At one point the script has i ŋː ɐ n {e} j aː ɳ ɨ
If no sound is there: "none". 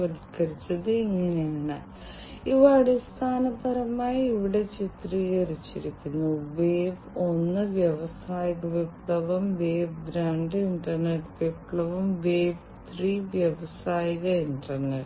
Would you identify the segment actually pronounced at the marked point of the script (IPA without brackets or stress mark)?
e